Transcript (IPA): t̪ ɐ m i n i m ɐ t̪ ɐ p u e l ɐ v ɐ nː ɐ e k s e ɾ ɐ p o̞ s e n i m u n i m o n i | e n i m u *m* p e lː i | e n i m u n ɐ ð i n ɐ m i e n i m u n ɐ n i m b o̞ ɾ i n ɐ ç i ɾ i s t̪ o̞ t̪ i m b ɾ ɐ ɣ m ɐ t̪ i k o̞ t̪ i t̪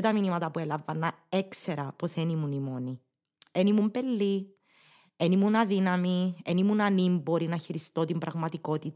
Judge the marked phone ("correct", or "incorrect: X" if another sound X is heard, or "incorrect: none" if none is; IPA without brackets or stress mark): correct